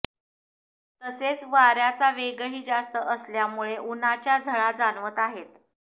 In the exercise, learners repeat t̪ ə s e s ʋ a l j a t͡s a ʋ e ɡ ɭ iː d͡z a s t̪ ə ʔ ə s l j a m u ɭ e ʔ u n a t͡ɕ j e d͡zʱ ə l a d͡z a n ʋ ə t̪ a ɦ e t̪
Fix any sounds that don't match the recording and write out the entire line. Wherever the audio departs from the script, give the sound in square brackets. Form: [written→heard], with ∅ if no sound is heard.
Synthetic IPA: t̪ ə s e [s→t͡s] ʋ a [l→ɾ] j a t͡s a ʋ e ɡ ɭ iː d͡z a s t̪ ə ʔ ə s l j a m u ɭ e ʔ u n a t͡ɕ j [e→a] d͡zʱ ə [l→ɭ] a d͡z a n ʋ ə t̪ a ɦ e t̪